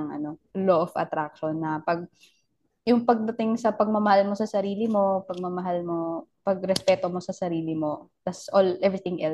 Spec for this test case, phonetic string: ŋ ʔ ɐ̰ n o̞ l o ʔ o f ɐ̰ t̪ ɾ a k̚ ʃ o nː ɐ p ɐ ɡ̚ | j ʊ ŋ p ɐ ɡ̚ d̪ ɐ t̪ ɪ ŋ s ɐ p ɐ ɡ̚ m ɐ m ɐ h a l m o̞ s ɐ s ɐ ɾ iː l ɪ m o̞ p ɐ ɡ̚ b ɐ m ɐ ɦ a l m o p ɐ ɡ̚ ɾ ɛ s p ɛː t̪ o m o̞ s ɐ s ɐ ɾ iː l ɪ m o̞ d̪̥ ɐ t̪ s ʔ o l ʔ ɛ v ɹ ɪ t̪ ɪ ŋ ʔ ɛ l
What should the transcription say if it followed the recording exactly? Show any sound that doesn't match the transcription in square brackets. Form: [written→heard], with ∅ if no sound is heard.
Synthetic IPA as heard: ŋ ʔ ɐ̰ n o̞ l o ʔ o f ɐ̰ t̪ ɾ a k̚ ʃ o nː ɐ p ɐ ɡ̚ | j ʊ ŋ p ɐ ɡ̚ d̪ ɐ t̪ ɪ ŋ s ɐ p ɐ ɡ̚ m ɐ m ɐ h a l m o̞ s ɐ s ɐ ɾ iː l ɪ m o̞ p ɐ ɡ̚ [b→m] ɐ m ɐ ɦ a l m o p ɐ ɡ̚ ɾ ɛ s p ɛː t̪ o m o̞ s ɐ s ɐ ɾ iː l ɪ m o̞ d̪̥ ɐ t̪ s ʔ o l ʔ ɛ v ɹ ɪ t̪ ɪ ŋ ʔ ɛ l